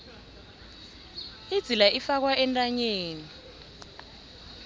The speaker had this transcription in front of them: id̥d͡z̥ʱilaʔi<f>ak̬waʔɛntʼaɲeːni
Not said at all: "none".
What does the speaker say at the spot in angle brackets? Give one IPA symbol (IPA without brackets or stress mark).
f